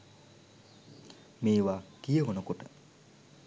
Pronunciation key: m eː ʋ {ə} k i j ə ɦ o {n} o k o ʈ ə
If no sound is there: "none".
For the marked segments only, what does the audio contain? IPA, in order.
a, n

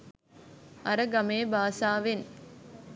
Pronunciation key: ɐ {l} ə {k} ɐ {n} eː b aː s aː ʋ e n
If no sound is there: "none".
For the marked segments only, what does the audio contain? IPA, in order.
ɾ, ɡ, m

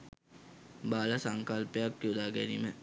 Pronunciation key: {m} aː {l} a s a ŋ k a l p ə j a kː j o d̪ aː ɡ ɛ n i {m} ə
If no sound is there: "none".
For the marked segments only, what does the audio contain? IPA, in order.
b, l, m

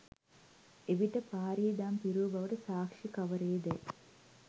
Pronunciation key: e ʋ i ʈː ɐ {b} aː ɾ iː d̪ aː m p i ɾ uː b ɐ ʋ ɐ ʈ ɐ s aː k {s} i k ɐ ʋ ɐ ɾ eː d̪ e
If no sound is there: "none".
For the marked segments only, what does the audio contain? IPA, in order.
p, ʂ

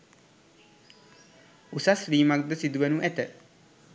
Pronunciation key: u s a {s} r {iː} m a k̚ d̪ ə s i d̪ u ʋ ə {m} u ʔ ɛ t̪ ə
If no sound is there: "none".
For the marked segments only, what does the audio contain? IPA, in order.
s, iː, n

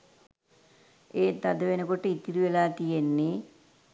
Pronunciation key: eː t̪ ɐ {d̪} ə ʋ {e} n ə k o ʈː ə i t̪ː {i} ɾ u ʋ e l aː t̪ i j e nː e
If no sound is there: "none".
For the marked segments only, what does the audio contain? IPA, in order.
d̪, e, i

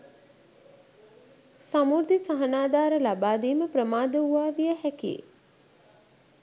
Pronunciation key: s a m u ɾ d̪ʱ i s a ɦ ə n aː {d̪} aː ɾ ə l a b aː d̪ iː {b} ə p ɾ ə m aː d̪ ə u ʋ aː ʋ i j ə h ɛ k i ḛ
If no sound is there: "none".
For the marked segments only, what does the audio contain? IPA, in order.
d̪, m

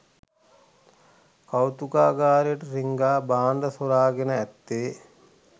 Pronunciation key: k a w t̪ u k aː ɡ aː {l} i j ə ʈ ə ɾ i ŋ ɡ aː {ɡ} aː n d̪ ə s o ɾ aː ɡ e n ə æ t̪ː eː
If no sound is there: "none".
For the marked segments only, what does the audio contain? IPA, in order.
ɾ, b

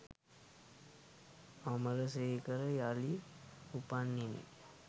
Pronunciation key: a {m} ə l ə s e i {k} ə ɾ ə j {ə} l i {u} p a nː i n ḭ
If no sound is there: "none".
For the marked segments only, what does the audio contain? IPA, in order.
m, k, a, u

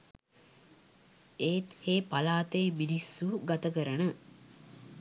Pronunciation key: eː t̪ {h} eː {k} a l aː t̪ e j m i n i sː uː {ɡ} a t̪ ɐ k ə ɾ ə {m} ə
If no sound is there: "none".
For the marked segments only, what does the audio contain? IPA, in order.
h, p, ɡ, n

